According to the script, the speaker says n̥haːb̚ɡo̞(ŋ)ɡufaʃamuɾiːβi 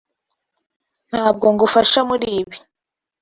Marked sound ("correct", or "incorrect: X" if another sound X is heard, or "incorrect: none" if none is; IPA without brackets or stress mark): correct